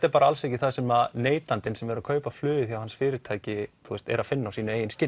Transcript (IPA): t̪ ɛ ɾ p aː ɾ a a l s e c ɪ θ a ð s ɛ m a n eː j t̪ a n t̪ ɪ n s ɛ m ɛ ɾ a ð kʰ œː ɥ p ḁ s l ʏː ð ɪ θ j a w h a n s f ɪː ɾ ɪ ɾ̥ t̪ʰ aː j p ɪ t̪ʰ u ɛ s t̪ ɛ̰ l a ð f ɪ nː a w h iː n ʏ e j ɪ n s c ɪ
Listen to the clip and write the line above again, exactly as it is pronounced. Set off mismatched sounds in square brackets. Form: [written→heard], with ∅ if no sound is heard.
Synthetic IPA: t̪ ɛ ɾ p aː ɾ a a l s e c ɪ θ a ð s ɛ m a n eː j t̪ a n t̪ ɪ n s ɛ m ɛ ɾ a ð kʰ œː ɥ p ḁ [s→f] l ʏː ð ɪ θ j a w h a n s f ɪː ɾ ɪ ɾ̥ t̪ʰ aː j [p→c] ɪ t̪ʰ u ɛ s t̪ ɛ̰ [l→ɾ] a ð f ɪ nː a w [h→s] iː n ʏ e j ɪ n s c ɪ